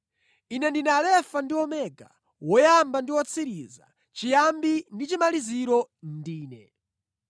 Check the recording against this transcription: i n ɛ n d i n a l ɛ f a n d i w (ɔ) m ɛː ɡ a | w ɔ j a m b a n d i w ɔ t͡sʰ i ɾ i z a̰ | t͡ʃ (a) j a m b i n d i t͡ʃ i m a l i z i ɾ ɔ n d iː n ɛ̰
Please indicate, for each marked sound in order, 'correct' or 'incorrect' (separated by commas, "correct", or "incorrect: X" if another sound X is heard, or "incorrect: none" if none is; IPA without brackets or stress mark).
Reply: correct, incorrect: i